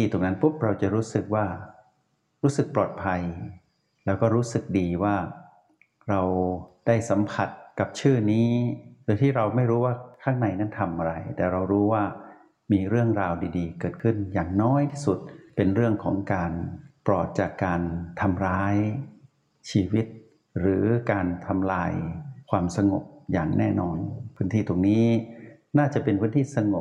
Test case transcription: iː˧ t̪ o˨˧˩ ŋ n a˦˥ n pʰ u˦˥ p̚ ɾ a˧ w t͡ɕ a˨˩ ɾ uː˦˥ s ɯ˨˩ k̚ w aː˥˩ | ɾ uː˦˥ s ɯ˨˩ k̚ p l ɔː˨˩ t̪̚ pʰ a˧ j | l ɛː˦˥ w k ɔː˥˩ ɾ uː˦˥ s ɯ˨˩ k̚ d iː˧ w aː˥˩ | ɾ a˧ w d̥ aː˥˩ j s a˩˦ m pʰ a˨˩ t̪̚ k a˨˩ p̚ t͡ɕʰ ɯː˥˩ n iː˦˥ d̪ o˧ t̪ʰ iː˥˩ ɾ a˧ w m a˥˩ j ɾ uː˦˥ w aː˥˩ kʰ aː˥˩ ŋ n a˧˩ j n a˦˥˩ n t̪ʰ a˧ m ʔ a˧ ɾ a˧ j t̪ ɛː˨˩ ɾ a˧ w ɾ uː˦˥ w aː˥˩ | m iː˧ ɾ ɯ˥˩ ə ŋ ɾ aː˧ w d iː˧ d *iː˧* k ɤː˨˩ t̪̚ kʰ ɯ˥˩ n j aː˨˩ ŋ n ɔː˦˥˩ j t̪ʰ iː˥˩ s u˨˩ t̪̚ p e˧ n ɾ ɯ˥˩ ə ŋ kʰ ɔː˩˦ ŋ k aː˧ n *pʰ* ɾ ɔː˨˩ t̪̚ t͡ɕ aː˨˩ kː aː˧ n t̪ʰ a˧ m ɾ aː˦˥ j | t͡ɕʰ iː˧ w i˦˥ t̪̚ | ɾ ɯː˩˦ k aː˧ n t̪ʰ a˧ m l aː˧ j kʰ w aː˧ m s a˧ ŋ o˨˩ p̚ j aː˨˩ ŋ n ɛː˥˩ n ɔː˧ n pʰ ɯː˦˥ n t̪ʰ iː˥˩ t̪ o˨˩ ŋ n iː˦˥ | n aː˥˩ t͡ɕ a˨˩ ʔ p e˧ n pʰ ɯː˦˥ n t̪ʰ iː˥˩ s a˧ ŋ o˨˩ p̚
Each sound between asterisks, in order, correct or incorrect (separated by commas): correct, incorrect